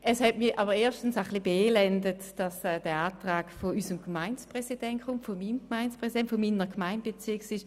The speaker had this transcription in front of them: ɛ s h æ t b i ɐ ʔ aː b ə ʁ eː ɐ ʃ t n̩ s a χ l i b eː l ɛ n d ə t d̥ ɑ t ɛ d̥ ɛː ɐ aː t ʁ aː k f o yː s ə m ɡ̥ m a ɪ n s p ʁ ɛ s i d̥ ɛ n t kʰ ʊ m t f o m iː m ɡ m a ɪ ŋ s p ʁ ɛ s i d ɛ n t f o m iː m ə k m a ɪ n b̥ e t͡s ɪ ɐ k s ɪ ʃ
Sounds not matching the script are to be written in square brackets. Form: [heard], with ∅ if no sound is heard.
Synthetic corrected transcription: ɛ s h [ɛ] t [m] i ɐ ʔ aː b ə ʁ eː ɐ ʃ t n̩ s a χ l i b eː l ɛ n d ə t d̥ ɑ [s] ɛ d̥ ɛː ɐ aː t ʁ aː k f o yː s ə m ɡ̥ m a ɪ n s p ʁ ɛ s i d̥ ɛ n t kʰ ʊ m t f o m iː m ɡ m a ɪ [n] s p ʁ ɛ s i d ɛ n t f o m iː [n] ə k m a ɪ n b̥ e t͡s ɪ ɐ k s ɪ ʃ

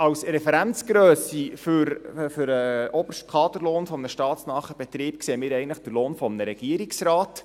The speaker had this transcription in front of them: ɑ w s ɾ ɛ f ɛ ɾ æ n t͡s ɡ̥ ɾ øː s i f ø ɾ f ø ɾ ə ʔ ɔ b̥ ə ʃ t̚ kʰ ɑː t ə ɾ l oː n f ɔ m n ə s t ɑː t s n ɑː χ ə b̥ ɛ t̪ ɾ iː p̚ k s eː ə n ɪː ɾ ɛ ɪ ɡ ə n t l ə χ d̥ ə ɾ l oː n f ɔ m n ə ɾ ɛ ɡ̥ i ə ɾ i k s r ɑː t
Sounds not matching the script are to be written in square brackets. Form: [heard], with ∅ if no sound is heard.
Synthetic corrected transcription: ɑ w s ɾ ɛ f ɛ ɾ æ n t͡s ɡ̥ ɾ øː s i f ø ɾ f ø ɾ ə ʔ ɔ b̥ ə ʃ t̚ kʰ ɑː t ə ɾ l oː n f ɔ m n ə [ʃ] t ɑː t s n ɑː χ ə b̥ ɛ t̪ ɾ iː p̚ k s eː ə [m] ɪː ɾ ɛ ɪ ɡ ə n t l ə χ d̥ ə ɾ l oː n f ɔ m n ə ɾ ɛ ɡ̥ i ə ɾ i k s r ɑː t

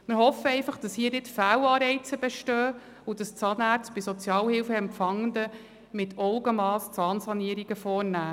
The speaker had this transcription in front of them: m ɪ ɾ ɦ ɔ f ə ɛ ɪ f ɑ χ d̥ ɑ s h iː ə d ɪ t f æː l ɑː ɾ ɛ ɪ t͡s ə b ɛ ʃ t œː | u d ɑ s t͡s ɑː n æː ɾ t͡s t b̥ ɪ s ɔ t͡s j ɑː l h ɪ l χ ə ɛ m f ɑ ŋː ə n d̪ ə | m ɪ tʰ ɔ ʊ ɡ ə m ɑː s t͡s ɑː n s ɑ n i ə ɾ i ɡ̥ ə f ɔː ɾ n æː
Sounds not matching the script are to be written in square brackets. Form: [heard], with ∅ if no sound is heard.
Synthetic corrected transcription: m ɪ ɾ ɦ ɔ f ə ɛ ɪ f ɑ χ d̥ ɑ s h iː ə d ɪ t f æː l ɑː ɾ ɛ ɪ t͡s ə b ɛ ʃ t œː | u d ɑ s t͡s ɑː n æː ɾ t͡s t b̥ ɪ s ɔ t͡s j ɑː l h ɪ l [f] ə ɛ m f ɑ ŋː ə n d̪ ə | m ɪ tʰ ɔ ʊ ɡ ə m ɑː s t͡s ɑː n s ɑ n i ə ɾ i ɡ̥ ə f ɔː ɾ n æː

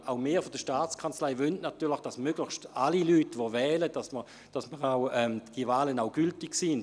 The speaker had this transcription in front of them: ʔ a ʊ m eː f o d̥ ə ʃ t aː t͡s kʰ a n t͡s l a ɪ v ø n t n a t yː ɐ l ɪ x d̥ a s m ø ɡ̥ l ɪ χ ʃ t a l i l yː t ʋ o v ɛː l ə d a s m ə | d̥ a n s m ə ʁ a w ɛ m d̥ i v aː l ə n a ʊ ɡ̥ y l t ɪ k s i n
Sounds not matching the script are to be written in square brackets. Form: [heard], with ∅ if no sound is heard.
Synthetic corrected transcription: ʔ a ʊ m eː f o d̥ ə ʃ t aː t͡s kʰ a n t͡s l a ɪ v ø n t n a t yː ɐ l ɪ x d̥ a s m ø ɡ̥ l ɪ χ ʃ t a l i l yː t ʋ o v ɛː l ə d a s m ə | d̥ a [∅] s m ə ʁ a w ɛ m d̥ i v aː l ə n a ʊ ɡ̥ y l t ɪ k s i n

